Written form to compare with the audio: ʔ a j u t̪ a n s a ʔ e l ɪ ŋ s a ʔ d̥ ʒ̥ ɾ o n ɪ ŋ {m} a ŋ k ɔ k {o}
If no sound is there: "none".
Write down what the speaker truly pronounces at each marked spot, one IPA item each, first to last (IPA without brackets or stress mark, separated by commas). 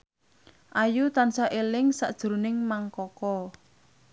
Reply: m, ɔ